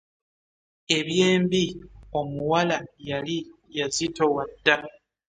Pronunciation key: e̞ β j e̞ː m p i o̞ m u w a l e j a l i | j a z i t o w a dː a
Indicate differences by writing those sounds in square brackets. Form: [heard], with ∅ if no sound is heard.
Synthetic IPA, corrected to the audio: e̞ β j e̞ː m [b] i o̞ m u w a l [a] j a l i | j a z i t o w a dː a